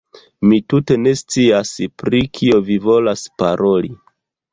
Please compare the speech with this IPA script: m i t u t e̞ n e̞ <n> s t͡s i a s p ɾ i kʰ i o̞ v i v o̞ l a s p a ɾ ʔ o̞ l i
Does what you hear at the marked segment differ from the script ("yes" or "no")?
yes